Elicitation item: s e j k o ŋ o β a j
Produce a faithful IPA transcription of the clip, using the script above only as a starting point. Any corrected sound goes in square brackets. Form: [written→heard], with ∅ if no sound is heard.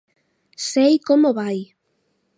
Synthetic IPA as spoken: s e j k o [ŋ→m] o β a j